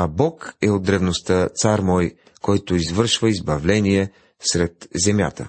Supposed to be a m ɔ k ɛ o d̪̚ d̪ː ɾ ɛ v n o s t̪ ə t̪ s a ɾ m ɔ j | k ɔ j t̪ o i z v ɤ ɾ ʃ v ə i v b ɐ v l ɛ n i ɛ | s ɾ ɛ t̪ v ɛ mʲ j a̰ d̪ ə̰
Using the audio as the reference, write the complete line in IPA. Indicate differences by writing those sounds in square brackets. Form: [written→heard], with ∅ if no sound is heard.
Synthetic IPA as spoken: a [m→b] ɔ k ɛ o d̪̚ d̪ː ɾ ɛ v n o s t̪ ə t̪ s a ɾ m ɔ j | k ɔ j t̪ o i z v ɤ ɾ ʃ v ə i [v→z] b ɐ v l ɛ n i ɛ | s ɾ ɛ t̪ [v→z] ɛ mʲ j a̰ [d̪→t̪] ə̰